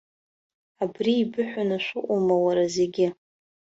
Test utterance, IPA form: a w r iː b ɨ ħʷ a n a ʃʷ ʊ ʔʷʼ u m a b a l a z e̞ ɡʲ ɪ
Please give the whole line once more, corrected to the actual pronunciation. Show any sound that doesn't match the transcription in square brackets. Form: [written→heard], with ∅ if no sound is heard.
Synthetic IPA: a [w→b] r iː b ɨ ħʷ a n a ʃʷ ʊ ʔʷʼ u m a [b→w] a [l→ɾ] a z e̞ ɡʲ ɪ